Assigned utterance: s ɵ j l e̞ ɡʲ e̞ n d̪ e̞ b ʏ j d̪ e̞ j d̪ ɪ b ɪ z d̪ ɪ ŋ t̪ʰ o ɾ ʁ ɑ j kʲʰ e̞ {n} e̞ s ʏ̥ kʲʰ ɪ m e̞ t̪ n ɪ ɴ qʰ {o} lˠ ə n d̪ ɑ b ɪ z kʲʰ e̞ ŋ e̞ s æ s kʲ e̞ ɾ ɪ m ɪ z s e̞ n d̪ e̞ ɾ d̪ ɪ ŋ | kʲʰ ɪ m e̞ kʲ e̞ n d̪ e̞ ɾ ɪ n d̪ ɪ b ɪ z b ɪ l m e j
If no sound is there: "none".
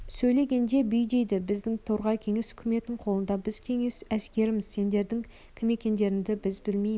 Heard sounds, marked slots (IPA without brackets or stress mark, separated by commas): ŋ, o